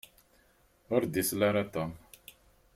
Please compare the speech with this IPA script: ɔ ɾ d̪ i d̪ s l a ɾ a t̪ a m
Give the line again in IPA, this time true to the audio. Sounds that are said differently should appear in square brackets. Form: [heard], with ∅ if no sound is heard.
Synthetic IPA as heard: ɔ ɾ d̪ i [∅] s l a ɾ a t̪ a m